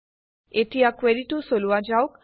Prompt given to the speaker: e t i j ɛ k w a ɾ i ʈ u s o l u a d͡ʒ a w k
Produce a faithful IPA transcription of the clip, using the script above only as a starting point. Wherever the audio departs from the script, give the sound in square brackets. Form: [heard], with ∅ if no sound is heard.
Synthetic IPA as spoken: e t i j [a] k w [e] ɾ i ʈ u s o l u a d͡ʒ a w k